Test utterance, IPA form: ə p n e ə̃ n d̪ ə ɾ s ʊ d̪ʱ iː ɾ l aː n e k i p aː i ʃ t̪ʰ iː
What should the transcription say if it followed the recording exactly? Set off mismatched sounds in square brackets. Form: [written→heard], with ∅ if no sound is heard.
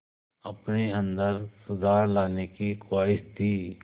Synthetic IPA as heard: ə p n e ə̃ n d̪ ə ɾ s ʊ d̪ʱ [iː→aː] ɾ l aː n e k i [p→k] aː [i→ɪ] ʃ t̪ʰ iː